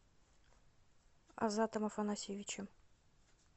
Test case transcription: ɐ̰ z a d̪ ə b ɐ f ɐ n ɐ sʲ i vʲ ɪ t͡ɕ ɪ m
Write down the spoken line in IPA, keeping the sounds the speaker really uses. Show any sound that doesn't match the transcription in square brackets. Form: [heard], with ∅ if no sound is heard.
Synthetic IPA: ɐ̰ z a [t̪] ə [m] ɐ f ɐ n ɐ sʲ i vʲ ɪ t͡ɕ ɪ m